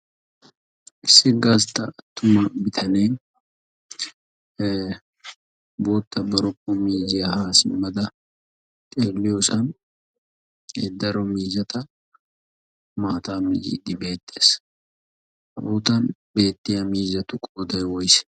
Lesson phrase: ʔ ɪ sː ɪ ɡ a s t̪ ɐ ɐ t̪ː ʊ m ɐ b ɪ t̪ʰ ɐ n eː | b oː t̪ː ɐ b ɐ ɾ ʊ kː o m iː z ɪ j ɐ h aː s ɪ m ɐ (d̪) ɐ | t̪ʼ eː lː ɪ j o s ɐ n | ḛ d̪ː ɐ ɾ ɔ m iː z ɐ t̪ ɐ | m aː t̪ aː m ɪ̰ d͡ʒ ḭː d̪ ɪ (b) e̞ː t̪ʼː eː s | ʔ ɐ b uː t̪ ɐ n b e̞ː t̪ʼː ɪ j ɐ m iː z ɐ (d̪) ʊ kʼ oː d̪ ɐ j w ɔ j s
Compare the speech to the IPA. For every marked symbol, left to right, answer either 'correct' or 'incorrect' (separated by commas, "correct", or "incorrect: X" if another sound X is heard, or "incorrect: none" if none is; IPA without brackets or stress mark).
correct, correct, incorrect: t̪